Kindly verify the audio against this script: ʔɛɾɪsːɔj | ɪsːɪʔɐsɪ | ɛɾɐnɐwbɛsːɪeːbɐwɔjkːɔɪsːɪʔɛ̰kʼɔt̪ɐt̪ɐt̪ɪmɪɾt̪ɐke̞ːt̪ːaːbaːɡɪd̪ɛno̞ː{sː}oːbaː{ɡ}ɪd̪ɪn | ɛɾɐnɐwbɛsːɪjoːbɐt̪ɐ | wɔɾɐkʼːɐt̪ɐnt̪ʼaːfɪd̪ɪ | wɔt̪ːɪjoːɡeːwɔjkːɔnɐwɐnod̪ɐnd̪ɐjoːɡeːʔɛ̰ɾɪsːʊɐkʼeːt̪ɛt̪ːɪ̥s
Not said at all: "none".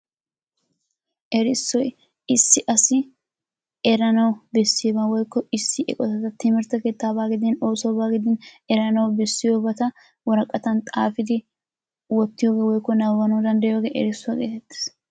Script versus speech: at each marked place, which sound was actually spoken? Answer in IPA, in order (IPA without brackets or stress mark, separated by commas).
s, ɡ